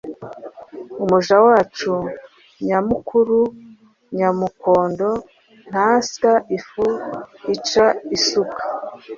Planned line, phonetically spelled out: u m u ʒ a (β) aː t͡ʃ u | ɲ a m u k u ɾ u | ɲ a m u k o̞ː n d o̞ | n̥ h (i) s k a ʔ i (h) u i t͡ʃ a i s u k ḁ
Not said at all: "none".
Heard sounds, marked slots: w, a, f

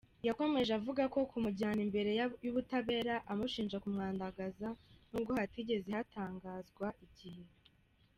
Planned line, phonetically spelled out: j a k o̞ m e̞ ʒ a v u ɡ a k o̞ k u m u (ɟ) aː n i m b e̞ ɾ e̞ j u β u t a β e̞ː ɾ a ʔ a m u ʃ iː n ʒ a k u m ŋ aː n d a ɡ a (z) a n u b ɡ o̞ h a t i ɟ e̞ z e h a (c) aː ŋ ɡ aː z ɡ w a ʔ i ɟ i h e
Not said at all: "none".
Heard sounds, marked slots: ɟ, z, t

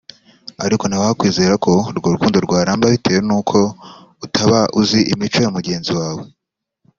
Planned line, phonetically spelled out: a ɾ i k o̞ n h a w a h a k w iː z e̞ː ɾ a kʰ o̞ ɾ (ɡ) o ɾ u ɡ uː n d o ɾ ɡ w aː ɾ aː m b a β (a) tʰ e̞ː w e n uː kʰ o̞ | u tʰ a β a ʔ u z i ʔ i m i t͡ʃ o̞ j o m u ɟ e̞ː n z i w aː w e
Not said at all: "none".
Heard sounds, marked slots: ɡ, i

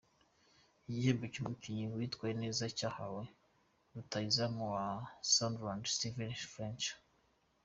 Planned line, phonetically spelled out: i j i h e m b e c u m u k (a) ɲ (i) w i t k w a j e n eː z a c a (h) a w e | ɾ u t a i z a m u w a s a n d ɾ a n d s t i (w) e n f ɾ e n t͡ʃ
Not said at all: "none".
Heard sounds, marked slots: i, i, h, v

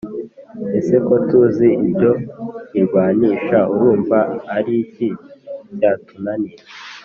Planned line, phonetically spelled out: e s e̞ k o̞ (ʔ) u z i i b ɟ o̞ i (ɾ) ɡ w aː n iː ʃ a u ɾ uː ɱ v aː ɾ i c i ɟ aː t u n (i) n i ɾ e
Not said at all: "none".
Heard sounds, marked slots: t, ɾ, a

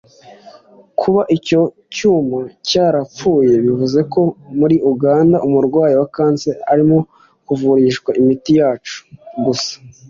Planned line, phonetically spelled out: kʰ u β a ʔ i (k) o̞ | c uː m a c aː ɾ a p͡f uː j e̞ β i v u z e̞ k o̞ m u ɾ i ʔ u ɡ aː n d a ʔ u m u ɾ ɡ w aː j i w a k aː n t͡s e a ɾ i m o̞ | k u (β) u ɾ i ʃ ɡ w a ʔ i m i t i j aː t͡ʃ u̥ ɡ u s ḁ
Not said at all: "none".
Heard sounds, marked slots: c, v

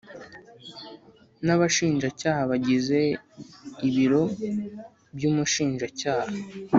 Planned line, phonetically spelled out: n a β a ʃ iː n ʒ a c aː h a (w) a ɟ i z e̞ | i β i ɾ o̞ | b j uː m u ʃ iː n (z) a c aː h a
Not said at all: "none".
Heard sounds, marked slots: β, ʒ

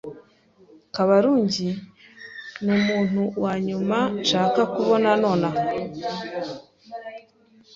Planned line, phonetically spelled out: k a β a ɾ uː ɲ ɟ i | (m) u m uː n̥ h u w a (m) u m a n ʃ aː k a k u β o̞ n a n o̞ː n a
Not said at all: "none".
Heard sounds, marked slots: n, ɲ

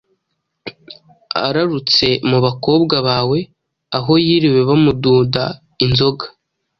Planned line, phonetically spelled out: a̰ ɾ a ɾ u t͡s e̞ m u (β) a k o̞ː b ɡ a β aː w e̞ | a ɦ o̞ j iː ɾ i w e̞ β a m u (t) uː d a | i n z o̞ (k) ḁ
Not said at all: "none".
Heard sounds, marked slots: β, d, ɡ

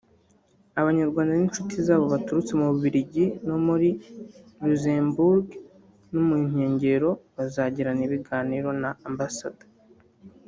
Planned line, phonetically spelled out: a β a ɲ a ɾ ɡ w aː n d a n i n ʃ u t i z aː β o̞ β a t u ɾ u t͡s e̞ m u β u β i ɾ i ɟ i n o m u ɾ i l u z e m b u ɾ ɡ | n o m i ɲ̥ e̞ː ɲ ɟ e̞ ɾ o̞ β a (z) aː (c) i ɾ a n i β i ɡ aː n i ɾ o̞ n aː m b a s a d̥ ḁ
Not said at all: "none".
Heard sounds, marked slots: z, ɟ

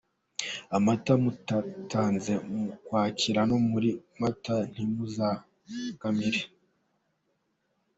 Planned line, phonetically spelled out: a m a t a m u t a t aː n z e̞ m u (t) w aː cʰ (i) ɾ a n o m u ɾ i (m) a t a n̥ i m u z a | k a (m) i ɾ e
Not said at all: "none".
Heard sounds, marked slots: k, i, m, m

